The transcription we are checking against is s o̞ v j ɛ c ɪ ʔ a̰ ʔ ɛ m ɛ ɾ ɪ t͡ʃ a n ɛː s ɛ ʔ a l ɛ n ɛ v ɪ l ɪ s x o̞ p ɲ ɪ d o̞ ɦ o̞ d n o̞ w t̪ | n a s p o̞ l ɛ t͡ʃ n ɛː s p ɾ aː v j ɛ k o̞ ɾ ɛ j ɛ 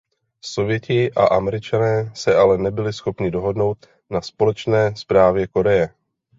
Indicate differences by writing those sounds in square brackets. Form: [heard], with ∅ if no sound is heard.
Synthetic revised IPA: s o̞ v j ɛ c ɪ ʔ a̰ ʔ [a] m ɛ ɾ ɪ t͡ʃ a n ɛː s ɛ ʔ a l ɛ n ɛ [b] ɪ l ɪ s x o̞ p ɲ ɪ d o̞ ɦ o̞ d n o̞ w t̪ | n a s p o̞ l ɛ t͡ʃ n ɛː s p ɾ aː v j ɛ k o̞ ɾ ɛ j ɛ